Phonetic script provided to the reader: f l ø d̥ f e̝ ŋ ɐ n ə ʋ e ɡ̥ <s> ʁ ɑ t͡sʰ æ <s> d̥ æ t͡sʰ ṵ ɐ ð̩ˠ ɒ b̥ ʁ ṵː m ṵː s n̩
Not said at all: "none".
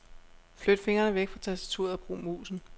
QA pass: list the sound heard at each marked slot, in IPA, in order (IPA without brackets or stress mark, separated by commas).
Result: f, s